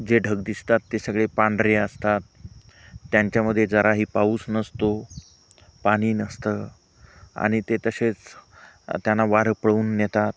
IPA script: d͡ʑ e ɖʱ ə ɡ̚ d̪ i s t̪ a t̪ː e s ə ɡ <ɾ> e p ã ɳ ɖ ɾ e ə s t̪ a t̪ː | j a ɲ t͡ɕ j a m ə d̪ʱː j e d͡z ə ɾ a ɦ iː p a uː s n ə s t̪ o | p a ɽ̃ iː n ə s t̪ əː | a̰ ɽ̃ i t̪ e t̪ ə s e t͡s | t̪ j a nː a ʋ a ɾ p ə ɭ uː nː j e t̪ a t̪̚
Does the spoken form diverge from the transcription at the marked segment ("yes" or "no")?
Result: yes